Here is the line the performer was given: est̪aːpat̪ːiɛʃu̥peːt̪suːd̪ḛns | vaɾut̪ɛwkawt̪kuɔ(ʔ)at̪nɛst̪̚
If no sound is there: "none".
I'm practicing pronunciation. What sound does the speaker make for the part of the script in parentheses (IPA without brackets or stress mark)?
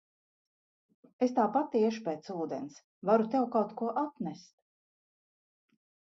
ʔ